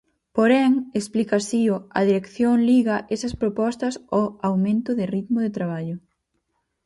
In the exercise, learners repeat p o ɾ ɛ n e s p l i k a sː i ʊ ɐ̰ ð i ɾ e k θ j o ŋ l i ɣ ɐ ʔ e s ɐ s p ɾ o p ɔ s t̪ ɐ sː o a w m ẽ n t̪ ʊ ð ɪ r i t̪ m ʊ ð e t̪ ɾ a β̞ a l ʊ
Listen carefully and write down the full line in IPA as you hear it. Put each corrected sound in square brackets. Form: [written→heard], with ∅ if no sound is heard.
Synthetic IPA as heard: p o ɾ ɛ [n→ŋ] e s p l i k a [sː→s] i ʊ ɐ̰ ð i ɾ e k θ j o ŋ l i ɣ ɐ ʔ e s ɐ s p ɾ o p ɔ s t̪ ɐ [sː→s] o a w m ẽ n t̪ ʊ ð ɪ r i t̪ m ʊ ð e t̪ ɾ a β̞ a [l→ʎ] ʊ

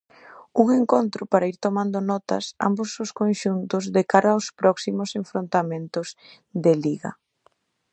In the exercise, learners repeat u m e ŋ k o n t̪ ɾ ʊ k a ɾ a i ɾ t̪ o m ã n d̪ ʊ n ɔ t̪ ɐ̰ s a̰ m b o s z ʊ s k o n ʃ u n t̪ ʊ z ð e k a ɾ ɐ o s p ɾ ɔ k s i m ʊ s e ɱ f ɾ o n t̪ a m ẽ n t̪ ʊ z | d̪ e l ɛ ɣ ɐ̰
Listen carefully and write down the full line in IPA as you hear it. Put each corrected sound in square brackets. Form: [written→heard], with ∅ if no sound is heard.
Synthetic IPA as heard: u [m→ŋ] e ŋ k o n t̪ ɾ ʊ [k→p] a ɾ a i ɾ t̪ o m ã n d̪ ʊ n ɔ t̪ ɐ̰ s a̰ m b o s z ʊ s k o n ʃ u n t̪ ʊ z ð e k a ɾ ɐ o s p ɾ ɔ k s i m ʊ s e ɱ f ɾ o n t̪ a m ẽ n t̪ ʊ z | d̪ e l [ɛ→i] ɣ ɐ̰

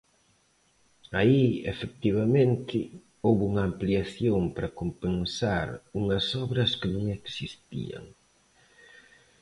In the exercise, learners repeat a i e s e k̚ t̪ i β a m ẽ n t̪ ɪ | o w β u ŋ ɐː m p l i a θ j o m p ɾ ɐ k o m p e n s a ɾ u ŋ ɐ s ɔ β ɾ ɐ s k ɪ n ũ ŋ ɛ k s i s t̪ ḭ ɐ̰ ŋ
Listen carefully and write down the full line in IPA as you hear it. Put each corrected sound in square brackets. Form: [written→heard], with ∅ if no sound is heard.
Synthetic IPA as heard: a i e [s→f] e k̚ t̪ i β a m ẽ n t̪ ɪ | o w β u ŋ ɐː m p l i a θ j o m p ɾ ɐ k o m p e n s a ɾ u ŋ ɐ s ɔ β ɾ ɐ s k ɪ n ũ ŋ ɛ k s i s t̪ ḭ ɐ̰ ŋ

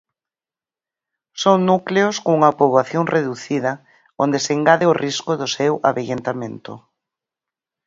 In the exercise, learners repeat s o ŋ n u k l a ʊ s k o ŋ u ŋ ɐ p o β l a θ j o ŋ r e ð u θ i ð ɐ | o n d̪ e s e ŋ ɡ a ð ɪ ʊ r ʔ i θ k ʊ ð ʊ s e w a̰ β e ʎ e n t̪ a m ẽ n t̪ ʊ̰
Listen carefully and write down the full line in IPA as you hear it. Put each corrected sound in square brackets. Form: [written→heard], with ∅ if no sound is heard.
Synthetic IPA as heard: s o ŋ n u k l [a→e] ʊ s k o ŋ u ŋ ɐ p o β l a θ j o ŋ r e ð u θ i ð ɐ | o n d̪ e s e ŋ ɡ a ð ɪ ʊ r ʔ i [θ→s] k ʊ ð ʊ s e w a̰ β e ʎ e n t̪ a m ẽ n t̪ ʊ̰

